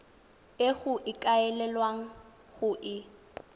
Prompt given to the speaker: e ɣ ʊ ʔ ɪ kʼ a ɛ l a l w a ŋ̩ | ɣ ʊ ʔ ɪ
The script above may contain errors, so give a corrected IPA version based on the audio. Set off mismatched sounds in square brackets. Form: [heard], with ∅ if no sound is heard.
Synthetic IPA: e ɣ ʊ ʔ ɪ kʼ a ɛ l [ɛ] l w a ŋ̩ | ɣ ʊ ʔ ɪ

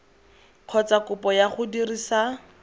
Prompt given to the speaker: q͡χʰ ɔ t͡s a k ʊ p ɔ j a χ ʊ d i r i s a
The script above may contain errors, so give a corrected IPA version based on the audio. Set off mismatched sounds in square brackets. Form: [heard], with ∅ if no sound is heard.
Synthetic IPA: q͡χʰ ɔ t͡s a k ʊ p ɔ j a χ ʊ d i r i s a

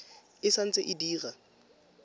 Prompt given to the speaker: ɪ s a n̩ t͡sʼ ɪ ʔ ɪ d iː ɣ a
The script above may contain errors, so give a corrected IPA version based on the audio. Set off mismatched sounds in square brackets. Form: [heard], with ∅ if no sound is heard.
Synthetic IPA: ɪ s a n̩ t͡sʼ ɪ ʔ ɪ d iː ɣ a

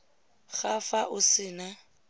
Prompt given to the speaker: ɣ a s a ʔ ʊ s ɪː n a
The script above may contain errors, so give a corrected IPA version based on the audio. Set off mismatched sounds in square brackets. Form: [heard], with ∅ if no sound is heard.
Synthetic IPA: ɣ a [f] a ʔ ʊ s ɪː n a

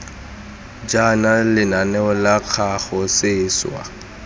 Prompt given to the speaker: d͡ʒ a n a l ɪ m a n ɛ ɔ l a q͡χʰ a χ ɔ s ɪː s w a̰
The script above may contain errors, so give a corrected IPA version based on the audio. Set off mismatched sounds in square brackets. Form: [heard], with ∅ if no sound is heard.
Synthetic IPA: d͡ʒ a n a l ɪ [n] a n ɛ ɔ l a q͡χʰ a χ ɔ s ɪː s w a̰

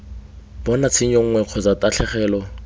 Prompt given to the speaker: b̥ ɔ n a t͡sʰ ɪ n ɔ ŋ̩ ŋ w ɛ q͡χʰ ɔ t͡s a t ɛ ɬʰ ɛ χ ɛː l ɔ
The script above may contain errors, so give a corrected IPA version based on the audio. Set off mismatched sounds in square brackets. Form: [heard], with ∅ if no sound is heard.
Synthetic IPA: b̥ ɔ n a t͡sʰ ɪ [ɲ] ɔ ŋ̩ ŋ w ɛ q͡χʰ ɔ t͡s a t [a] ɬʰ ɛ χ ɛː l ɔ

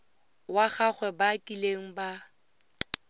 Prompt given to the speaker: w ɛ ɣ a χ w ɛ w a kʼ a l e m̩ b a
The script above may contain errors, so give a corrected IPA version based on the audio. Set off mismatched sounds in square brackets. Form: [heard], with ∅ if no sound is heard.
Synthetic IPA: w [a] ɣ a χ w ɛ [b] a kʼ [i] l e [ŋ̩] b a

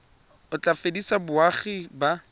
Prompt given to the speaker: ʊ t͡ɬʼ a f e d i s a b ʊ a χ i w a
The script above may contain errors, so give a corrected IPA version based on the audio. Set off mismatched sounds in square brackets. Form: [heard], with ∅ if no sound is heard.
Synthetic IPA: ʊ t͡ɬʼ a f e d i s a b ʊ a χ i [b] a

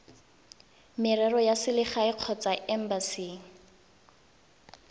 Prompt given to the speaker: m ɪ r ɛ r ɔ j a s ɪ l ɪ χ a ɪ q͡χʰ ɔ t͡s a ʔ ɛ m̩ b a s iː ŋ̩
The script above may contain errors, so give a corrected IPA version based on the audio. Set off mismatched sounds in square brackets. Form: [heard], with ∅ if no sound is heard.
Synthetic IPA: m ɪ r ɛ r ɔ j a s ɪ l ɪ χ a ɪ q͡χʰ ɔ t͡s a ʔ ɛ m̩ b a s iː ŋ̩

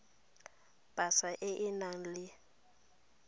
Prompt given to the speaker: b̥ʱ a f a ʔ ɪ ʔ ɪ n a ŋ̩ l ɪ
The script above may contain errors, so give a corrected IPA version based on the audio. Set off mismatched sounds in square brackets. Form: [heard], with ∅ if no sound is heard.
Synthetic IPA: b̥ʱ a [s] a ʔ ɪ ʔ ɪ n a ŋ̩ l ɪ

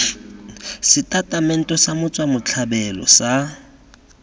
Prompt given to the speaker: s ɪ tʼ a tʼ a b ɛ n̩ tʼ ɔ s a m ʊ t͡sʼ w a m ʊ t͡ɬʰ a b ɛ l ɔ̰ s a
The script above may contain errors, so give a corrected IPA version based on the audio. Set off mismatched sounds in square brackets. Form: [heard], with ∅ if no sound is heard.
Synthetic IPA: s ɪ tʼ a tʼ a [m] ɛ n̩ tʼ ɔ s a m ʊ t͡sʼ w a m ʊ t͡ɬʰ a b ɛ l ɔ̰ s a

